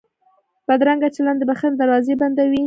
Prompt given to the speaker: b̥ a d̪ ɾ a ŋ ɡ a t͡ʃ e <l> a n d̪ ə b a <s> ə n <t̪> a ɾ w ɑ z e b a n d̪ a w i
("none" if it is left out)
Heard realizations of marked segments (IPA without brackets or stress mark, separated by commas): l, x, d̪